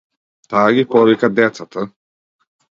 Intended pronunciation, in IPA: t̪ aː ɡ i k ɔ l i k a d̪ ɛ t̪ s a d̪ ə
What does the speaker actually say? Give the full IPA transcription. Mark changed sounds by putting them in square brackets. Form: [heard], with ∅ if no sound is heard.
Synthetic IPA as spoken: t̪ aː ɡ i [p] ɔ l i k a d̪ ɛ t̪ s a [t̪] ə